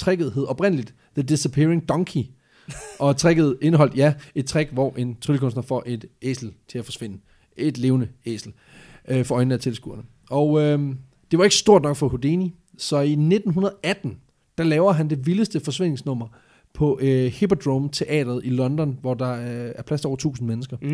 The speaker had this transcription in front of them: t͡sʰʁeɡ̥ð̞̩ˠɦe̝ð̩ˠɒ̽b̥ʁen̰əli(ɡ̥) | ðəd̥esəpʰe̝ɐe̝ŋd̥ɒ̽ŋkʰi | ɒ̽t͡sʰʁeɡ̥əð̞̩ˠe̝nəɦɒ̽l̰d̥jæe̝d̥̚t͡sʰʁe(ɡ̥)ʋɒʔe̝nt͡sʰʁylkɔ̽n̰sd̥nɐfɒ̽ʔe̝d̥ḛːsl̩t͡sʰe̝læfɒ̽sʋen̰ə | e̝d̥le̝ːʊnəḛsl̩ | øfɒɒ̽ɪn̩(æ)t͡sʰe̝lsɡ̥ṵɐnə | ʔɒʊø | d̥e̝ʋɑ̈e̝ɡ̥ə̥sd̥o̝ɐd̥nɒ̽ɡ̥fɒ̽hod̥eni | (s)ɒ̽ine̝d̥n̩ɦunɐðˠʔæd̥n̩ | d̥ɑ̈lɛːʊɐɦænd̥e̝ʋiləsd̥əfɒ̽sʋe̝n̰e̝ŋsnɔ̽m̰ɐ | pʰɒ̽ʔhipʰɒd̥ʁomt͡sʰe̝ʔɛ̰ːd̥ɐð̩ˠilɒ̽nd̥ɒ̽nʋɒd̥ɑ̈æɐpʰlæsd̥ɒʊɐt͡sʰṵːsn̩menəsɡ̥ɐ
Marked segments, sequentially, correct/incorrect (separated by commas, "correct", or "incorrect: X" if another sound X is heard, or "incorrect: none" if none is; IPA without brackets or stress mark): incorrect: d̥, correct, correct, correct